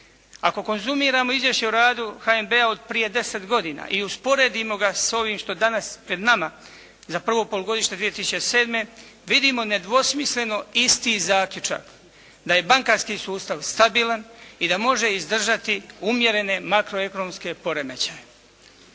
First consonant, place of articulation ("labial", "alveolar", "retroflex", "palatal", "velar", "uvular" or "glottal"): velar